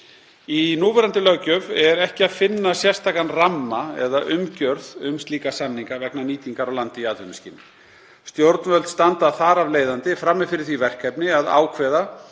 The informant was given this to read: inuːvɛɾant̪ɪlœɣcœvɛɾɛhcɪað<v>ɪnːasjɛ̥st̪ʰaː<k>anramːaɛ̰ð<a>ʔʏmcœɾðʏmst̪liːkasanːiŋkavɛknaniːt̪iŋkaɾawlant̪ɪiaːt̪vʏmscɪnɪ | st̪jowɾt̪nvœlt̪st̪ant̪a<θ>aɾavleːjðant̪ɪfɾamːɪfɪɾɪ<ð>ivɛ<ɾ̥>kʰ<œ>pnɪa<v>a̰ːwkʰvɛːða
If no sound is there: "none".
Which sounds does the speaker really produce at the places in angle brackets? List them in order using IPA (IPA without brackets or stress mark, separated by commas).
f, k, a, θ, θ, r̥, ɛ, ð